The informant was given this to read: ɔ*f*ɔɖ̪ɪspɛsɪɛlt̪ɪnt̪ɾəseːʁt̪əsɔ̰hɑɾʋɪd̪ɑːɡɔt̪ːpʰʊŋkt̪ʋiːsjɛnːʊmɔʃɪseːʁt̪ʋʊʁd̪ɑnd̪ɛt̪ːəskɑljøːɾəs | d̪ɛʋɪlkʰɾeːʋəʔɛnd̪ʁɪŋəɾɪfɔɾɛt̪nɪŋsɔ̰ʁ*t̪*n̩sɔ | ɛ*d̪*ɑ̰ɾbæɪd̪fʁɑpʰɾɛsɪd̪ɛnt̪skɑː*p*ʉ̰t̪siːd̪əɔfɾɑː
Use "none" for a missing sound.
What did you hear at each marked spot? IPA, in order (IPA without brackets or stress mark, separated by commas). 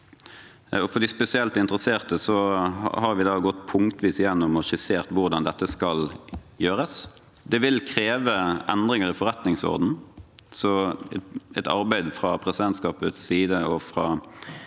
f, d̪, t̪, p